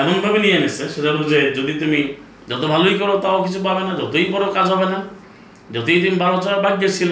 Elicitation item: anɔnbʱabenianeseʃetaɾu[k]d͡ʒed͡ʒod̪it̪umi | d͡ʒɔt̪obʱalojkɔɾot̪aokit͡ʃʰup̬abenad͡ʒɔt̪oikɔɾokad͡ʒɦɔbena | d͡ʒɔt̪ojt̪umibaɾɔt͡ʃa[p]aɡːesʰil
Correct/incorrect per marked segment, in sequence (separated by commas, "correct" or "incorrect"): incorrect, incorrect